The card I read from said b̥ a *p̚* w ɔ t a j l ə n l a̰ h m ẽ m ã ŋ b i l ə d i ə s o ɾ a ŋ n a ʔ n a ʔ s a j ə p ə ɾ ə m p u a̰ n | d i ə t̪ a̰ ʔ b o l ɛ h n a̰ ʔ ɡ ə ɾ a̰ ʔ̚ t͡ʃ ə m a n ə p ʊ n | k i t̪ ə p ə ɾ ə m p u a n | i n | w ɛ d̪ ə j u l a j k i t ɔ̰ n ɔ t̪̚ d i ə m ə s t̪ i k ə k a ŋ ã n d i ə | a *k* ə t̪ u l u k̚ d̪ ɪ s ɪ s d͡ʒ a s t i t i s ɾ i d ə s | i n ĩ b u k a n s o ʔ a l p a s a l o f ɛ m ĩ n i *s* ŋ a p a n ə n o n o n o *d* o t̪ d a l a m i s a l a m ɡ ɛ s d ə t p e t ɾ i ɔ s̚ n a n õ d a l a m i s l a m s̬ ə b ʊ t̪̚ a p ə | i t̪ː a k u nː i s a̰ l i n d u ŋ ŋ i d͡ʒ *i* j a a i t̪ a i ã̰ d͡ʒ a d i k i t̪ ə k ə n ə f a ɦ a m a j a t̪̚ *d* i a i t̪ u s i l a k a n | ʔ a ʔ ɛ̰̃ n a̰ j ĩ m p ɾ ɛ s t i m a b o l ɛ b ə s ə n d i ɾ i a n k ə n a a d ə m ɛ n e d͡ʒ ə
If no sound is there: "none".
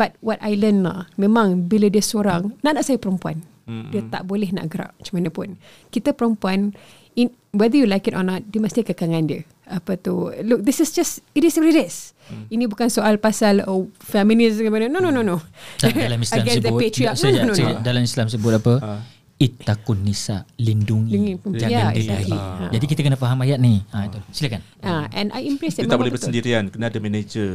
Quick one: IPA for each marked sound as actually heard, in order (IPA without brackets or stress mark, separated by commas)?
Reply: t̚, p, s, n, a, n